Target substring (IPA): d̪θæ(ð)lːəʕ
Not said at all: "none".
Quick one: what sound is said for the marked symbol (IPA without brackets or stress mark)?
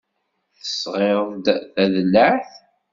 ð